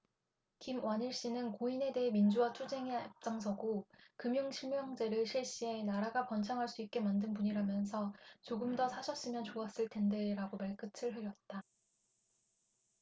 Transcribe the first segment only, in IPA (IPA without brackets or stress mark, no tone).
k